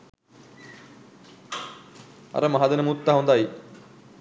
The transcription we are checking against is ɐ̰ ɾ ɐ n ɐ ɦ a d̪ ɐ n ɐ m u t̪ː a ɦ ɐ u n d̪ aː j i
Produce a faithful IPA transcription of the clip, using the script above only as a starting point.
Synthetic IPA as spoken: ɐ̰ ɾ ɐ m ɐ ɦ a d̪ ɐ n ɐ m u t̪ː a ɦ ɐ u n d̪ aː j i